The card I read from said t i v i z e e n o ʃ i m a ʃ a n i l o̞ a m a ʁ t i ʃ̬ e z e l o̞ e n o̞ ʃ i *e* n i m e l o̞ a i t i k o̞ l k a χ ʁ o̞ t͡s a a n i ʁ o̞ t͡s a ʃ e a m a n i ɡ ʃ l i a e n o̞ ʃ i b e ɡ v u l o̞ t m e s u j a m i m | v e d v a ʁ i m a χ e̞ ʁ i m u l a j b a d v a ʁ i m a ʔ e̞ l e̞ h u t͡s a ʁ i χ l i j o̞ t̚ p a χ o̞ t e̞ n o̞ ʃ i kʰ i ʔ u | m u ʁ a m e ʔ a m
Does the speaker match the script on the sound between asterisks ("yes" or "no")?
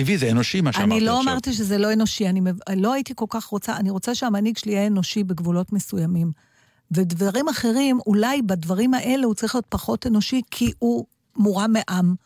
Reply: no